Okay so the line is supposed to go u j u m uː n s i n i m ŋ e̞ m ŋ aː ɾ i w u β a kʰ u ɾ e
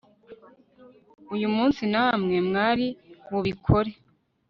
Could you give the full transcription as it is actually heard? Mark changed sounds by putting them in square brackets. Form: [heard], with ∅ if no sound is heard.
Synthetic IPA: u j u m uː n s i n [a] m ŋ e̞ m ŋ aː ɾ i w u β [i] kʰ [o] ɾ e

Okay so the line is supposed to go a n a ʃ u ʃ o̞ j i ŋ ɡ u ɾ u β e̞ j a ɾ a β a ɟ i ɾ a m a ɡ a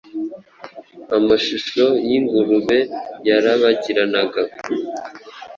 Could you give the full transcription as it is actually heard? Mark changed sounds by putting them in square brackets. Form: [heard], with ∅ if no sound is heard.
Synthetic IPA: a [m] a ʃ u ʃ o̞ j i ŋ ɡ u ɾ u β e̞ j a ɾ a β a ɟ i ɾ a [n] a ɡ a

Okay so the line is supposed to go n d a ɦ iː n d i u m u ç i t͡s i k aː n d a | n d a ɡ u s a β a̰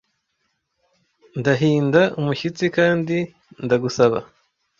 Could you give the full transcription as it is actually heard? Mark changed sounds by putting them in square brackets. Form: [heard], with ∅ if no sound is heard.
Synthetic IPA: n d a ɦ iː n d [a] u m u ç i t͡s i k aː n d [i] | n d a ɡ u s a β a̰

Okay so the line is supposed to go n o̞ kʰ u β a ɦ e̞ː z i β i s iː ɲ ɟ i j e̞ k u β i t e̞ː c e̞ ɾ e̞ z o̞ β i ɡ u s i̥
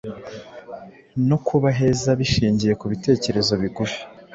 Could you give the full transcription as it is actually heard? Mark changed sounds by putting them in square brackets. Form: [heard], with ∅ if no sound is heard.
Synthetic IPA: n o̞ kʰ u β a ɦ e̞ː z [a] β i [ʃ] iː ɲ ɟ i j e̞ k u β i t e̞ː c e̞ ɾ e̞ z o̞ β i ɡ u [f] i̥

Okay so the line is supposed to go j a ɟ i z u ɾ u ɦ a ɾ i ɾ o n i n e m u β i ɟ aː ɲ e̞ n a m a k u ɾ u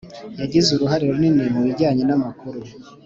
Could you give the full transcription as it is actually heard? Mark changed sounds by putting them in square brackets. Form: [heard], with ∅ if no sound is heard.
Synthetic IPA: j a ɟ i z u ɾ u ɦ a ɾ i ɾ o n i n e m u β i ɟ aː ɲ e̞ n a m a k u ɾ u

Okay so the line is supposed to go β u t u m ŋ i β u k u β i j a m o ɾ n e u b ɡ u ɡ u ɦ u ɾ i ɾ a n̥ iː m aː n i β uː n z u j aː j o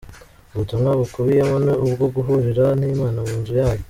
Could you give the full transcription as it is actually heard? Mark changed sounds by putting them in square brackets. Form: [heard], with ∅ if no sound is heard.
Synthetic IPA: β u t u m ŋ [a] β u k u β i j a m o [∅] n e u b ɡ [o] ɡ u ɦ u ɾ i ɾ a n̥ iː m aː n [a] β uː n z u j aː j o

